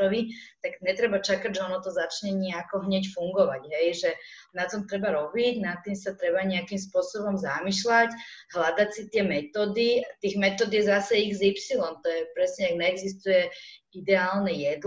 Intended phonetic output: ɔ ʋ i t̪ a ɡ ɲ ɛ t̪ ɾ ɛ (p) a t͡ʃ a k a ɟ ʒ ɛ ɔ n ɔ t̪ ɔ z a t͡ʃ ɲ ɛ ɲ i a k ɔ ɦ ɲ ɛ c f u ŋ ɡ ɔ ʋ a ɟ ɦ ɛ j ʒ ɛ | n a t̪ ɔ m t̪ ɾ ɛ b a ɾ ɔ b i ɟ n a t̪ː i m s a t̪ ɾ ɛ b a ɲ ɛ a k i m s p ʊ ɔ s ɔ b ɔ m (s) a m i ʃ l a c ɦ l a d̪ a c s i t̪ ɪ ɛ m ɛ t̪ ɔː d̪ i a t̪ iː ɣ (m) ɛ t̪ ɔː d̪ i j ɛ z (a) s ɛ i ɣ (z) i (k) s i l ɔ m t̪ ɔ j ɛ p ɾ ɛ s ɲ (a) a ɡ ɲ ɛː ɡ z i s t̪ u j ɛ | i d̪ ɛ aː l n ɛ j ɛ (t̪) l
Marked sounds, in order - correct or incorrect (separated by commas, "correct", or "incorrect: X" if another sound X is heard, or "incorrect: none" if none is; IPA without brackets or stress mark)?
incorrect: b, incorrect: z, correct, correct, correct, incorrect: p, incorrect: ɛ, incorrect: d̪